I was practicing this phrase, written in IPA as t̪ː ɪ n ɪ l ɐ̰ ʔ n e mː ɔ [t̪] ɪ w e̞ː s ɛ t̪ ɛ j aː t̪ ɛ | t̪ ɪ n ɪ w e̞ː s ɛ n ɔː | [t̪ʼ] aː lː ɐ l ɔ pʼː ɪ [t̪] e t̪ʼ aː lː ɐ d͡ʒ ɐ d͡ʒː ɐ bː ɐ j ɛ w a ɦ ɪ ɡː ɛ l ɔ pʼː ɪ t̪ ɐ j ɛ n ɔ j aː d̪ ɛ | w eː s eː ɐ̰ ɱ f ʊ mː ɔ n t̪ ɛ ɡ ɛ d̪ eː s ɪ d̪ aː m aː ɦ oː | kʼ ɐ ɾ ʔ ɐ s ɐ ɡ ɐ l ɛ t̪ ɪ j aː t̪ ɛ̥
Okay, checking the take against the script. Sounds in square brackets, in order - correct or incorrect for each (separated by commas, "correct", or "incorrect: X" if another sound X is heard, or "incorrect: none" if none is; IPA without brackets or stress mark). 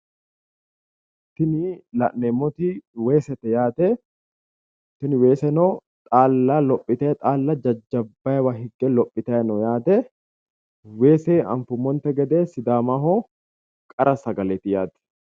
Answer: correct, correct, correct